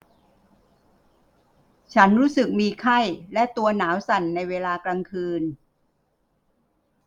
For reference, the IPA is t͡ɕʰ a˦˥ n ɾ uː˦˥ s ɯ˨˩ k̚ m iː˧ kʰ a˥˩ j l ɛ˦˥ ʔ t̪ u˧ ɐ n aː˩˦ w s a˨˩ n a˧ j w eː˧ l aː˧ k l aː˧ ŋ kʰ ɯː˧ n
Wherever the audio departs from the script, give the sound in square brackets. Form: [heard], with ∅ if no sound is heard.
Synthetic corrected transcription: t͡ɕʰ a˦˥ n ɾ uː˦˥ s ɯ˨˩ k̚ m iː˧ kʰ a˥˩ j l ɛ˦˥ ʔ t̪ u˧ ɐ n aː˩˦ w s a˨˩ [nː] a˧ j w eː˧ l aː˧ k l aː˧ ŋ kʰ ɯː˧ n